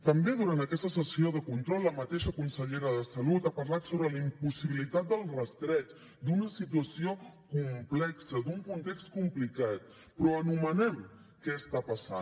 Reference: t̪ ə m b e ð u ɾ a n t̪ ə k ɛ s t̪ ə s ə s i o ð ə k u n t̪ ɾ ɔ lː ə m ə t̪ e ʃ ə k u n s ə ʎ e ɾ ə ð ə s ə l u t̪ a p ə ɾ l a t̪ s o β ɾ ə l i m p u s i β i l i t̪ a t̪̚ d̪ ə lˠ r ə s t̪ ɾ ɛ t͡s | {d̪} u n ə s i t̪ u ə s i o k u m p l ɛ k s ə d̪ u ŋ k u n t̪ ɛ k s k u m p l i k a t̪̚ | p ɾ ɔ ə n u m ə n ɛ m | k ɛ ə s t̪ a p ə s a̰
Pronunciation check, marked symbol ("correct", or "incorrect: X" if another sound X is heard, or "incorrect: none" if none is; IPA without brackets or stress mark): correct